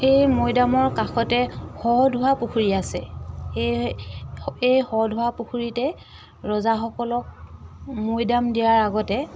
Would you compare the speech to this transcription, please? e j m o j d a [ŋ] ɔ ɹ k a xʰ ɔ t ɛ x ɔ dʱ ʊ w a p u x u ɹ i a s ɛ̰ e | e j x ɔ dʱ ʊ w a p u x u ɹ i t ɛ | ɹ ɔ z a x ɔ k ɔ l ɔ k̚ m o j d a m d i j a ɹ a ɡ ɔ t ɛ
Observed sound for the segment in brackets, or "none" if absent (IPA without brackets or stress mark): m